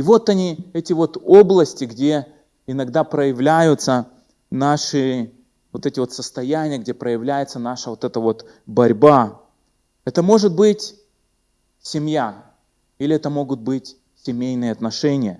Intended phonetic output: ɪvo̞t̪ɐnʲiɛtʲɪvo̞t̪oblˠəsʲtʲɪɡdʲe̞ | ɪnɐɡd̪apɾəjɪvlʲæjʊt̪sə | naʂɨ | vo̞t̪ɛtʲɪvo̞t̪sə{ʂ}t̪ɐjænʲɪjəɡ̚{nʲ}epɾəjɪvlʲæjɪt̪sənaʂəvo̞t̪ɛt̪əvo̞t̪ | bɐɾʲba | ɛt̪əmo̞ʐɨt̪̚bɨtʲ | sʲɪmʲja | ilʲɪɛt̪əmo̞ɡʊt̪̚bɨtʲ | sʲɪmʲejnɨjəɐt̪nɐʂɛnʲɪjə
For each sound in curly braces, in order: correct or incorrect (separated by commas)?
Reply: incorrect, incorrect